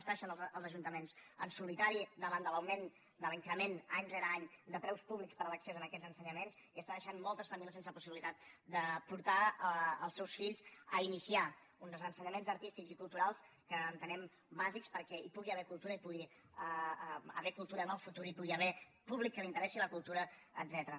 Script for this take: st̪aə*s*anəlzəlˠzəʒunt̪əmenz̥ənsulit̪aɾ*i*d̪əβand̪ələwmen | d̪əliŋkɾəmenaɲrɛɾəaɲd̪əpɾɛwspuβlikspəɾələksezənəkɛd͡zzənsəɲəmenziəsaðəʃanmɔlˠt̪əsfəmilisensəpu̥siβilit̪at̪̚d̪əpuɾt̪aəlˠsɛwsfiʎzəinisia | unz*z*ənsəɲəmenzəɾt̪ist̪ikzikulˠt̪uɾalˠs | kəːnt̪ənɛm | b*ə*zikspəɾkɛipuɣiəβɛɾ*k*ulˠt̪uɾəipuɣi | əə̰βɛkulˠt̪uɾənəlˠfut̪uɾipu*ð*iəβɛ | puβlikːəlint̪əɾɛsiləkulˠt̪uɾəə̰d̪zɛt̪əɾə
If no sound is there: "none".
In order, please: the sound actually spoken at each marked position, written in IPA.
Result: ʃ, i, z, a, k, ɣ

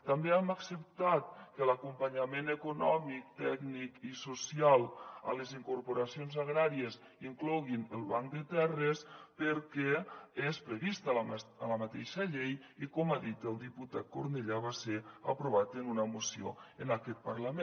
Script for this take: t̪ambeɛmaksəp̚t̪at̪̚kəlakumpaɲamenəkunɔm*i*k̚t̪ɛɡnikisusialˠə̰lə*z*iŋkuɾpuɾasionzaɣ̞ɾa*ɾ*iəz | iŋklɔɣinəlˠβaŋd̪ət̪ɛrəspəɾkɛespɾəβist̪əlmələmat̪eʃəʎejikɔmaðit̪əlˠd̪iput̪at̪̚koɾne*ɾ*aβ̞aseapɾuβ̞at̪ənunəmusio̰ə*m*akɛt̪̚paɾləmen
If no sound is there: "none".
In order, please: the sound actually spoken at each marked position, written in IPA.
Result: i, z, ɾ, ʎ, n

